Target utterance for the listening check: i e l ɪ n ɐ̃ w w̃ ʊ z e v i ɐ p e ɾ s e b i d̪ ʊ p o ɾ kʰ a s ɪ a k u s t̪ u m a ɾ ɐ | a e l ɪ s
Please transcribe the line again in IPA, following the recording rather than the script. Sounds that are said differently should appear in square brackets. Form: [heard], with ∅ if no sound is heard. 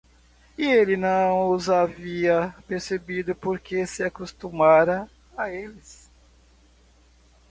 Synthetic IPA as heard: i e l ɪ n ɐ̃ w w̃ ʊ z [a] v i ɐ p e ɾ s e b i d̪ ʊ p o ɾ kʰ [e] s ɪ a k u s t̪ u m a ɾ ɐ | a e l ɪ s